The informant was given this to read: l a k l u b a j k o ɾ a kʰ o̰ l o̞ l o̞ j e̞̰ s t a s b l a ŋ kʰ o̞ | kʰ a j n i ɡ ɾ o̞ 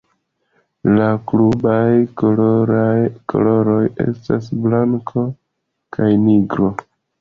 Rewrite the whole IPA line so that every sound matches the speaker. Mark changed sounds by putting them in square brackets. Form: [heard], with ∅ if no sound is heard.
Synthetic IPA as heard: l a k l u b a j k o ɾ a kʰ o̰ l o̞ [ɾ] o̞ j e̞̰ s t a s b l a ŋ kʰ o̞ | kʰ a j n i ɡ ɾ o̞